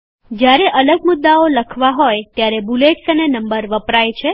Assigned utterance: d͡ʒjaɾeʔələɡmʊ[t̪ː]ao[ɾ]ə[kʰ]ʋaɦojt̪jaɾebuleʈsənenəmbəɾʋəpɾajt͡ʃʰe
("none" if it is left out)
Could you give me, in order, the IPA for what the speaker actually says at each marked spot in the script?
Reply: d̪ː, l, kʰ

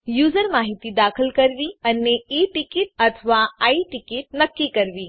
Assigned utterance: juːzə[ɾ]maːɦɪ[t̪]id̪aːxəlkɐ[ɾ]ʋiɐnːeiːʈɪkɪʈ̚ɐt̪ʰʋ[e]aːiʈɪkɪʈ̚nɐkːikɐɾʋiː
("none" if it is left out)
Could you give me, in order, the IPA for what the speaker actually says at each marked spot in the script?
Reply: ɾ, t̪, ɾ, a

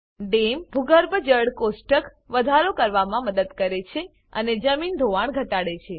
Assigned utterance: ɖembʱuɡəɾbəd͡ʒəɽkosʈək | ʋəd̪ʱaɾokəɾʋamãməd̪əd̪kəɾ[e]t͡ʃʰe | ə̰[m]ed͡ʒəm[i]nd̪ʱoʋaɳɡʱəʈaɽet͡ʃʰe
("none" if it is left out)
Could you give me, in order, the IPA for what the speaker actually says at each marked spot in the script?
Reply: e, n, i

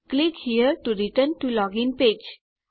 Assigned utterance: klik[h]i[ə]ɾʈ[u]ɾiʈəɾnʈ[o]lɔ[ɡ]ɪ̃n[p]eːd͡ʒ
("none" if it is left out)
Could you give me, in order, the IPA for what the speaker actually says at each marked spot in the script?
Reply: h, ə, u, u, ɡ, p

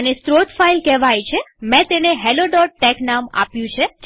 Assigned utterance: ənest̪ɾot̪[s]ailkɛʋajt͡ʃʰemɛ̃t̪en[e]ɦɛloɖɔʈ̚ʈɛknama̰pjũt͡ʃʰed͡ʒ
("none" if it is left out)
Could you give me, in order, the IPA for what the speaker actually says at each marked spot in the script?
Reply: f, e

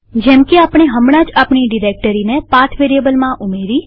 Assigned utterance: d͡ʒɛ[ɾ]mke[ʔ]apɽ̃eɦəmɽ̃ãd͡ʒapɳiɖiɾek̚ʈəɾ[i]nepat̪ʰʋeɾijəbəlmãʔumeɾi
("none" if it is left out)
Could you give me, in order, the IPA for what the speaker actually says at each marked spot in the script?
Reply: none, none, i

